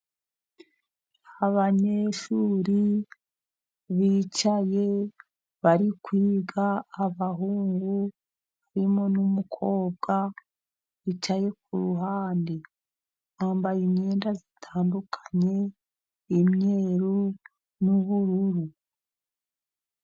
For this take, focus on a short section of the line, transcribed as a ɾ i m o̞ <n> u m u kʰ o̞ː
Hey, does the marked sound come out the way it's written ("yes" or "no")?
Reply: yes